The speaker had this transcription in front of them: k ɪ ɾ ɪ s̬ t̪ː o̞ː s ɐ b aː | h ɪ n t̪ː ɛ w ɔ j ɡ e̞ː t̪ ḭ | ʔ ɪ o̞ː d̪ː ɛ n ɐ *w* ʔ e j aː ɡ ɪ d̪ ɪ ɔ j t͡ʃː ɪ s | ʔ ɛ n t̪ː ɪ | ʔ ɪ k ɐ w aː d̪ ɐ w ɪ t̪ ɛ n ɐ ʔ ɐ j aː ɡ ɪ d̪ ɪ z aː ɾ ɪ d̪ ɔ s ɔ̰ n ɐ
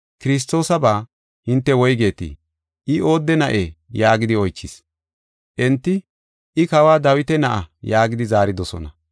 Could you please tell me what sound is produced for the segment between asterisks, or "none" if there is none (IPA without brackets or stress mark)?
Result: none